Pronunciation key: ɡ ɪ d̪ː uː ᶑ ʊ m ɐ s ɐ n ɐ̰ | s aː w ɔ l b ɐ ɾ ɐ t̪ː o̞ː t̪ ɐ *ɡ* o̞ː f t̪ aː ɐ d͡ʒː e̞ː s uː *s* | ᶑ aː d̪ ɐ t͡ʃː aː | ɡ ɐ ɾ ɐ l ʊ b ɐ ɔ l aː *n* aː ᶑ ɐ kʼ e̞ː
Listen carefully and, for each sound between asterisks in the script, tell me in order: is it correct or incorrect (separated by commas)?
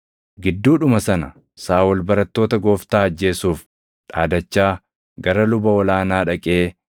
correct, incorrect, correct